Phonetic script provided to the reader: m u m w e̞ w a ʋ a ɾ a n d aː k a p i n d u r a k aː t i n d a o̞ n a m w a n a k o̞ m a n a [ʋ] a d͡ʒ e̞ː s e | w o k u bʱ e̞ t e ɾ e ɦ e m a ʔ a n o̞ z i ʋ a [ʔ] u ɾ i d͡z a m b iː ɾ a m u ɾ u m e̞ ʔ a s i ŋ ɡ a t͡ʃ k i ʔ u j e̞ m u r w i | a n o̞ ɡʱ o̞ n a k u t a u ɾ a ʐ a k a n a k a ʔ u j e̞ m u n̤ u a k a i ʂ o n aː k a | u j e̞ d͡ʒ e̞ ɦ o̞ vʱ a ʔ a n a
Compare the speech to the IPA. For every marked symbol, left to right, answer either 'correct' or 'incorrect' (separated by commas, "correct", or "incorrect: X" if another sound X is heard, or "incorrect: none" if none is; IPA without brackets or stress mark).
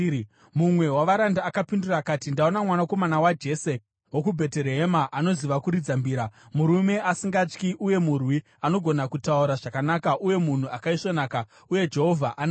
incorrect: w, incorrect: k